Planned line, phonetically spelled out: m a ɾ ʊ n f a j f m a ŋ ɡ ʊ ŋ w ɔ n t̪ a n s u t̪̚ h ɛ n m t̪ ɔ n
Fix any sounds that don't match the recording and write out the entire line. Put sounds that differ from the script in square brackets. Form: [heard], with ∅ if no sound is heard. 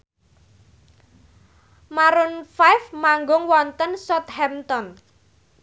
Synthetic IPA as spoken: m a ɾ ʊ n f a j f m a ŋ ɡ ʊ ŋ w ɔ n t̪ [ə] n s [ɔ] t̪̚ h ɛ [∅] m t̪ ɔ n